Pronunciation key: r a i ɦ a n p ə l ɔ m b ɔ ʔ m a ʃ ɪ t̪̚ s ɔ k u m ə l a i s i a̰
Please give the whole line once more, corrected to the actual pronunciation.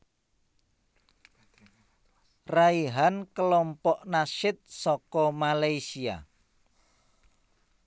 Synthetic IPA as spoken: r a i ɦ a n k ə l ɔ m p ɔ ʔ n a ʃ ɪ t̪̚ s ɔ k ɔ m a l a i s i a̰

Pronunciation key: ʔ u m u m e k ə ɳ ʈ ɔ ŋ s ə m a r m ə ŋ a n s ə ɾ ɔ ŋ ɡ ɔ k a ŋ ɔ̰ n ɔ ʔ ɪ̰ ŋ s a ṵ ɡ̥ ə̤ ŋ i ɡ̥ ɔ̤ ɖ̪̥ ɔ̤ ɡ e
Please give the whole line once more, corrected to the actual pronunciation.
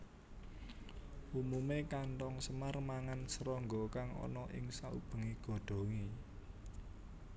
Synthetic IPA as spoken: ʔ u m u m e k a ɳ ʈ ɔ ŋ s ə m a r m a ŋ a n s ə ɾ ɔ ŋ ɡ ɔ k a ŋ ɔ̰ n ɔ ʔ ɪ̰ ŋ s a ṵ b̥ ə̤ ŋ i ɡ̥ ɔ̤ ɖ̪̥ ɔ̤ ŋ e

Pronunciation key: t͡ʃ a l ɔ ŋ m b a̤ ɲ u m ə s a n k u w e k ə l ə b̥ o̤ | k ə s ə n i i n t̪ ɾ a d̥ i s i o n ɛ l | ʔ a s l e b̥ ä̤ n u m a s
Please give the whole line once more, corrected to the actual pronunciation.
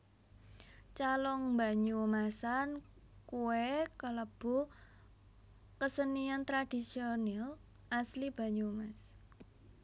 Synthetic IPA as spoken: t͡ʃ a l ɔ ŋ m b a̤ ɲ u m a s a n k u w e k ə l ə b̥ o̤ | k ə s ə n i a n t̪ ɾ a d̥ i s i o n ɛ l | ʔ a s l i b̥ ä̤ ɲ u m a s

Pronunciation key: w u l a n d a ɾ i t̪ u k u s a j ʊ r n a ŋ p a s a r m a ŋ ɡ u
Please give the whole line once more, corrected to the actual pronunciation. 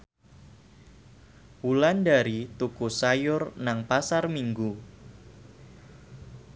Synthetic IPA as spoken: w u l a n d a ɾ i t̪ u k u s a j ʊ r n a ŋ p a s a r m i ŋ ɡ u

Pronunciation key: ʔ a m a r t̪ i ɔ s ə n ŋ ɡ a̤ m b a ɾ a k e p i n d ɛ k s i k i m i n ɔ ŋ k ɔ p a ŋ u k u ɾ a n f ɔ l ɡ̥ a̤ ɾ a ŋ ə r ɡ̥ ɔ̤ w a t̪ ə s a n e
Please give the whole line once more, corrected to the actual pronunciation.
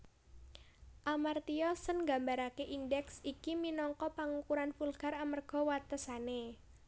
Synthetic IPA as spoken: ʔ a m a r t̪ i ɔ s ə n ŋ ɡ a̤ m b a ɾ a k e ʔ i n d ɛ k s i k i m i n ɔ ŋ k ɔ p a ŋ u k u ɾ a n f u l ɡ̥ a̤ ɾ a m ə r ɡ̥ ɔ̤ w a t̪ ə s a n e

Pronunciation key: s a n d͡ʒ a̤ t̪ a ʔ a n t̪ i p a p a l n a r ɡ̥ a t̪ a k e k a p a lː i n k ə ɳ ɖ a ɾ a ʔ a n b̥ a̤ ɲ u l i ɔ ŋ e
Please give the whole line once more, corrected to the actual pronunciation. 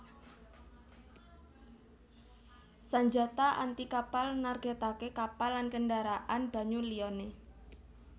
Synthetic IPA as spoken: s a ɲ d͡ʒ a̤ t̪ a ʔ a n t̪ i k a p a l n a r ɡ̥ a t̪ a k e k a p a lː a n k ə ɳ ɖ a ɾ a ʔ a n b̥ a̤ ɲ u l i ɔ n e

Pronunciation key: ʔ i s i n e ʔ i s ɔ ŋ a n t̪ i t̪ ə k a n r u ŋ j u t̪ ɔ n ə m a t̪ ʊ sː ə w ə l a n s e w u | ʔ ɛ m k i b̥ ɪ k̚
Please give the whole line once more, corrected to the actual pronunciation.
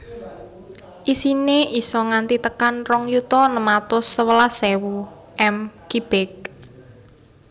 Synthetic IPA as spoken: ʔ i s i n e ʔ i s ɔ ŋ a n t̪ i t̪ ə k a n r ɔ ŋ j u t̪ ɔ n ə m a t̪ ʊ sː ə w ə l a s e w u | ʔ ɛ m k i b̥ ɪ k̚

